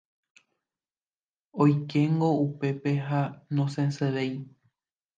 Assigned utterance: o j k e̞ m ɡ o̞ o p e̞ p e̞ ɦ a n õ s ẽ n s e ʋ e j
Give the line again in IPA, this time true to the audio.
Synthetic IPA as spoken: o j k e̞ ŋ ɡ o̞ u p e̞ p e̞ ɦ a n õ s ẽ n s e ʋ e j